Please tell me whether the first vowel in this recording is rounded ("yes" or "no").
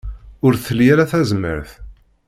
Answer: yes